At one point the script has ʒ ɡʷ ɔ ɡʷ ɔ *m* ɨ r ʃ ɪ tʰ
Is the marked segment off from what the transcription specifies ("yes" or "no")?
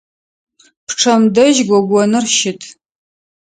yes